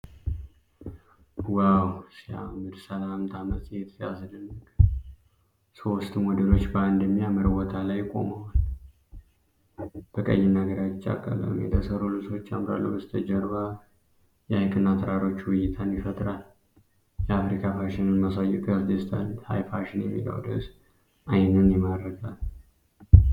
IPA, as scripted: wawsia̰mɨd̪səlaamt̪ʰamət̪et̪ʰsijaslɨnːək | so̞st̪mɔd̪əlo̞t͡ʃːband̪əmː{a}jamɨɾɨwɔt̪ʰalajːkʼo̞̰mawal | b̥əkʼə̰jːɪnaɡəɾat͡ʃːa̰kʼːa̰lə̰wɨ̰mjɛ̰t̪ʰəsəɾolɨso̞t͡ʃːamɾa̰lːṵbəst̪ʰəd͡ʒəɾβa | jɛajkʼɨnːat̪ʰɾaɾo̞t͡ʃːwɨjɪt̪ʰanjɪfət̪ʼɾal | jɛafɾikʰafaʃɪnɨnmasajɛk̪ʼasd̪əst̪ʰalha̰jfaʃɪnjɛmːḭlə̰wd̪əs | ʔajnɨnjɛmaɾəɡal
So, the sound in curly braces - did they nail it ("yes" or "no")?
no